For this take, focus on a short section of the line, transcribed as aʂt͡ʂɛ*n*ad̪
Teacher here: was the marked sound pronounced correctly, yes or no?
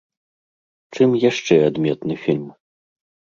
no